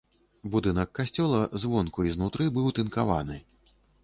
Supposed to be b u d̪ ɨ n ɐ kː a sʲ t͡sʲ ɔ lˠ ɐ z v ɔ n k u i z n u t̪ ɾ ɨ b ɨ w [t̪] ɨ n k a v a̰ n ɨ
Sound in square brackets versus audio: correct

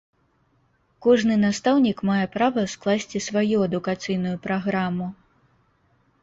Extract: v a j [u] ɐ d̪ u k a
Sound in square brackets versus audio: correct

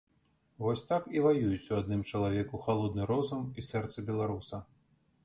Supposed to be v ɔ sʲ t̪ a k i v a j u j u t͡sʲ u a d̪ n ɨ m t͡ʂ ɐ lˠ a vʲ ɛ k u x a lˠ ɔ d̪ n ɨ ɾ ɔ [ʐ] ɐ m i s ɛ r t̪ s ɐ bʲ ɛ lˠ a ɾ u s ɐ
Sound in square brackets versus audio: incorrect: z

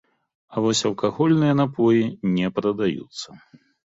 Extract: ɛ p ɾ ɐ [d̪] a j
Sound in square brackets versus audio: correct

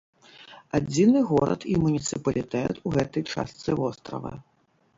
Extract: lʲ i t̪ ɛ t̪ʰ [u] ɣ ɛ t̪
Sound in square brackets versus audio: correct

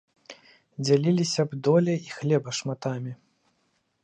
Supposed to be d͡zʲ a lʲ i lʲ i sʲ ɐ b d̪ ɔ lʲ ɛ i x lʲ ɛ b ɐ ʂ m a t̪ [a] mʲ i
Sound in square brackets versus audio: correct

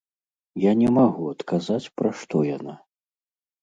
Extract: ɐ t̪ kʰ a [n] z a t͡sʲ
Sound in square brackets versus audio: incorrect: none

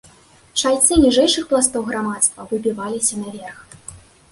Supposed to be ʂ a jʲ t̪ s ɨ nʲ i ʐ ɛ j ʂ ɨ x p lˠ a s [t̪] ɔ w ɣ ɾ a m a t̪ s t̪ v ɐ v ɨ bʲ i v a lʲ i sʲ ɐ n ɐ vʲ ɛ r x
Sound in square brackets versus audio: correct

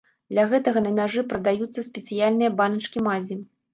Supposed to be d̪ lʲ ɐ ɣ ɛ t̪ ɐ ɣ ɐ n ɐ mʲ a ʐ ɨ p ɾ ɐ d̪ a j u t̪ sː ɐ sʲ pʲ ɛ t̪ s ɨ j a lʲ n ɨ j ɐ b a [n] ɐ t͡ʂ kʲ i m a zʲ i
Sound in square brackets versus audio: correct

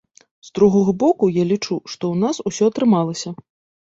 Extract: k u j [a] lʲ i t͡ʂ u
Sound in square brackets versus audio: correct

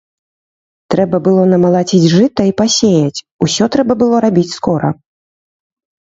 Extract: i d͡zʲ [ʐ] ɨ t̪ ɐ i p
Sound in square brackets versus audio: correct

